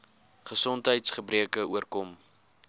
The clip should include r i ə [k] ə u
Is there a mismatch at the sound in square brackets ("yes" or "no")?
no